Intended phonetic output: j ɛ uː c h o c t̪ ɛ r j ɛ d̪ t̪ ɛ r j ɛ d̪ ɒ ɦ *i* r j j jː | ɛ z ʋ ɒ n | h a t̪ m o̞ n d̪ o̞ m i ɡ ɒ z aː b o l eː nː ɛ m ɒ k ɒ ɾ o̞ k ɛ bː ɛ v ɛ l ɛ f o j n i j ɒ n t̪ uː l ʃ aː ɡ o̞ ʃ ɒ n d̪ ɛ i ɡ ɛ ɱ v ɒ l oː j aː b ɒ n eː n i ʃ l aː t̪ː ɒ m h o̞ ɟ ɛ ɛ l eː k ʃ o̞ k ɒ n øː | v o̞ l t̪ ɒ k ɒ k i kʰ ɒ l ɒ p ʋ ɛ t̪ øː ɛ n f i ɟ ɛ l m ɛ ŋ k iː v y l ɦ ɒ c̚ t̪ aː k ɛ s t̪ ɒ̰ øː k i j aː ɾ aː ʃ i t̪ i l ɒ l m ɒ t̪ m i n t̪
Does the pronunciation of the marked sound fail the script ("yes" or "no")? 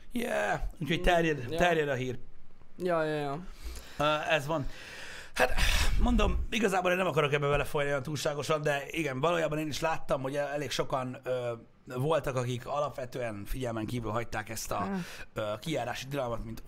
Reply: yes